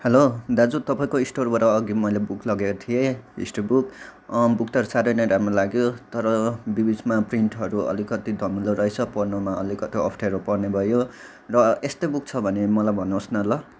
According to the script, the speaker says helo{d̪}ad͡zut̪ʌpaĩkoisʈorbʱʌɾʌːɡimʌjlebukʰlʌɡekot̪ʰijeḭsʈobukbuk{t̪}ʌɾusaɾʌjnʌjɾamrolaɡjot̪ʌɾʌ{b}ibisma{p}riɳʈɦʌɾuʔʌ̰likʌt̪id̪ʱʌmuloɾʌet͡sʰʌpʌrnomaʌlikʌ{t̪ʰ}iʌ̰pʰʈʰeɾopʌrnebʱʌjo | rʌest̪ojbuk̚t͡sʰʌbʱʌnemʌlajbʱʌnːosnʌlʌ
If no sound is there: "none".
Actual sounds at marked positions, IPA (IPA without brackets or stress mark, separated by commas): d̪, t̪, b, p, t̪